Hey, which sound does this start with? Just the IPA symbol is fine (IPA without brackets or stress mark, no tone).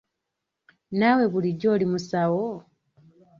n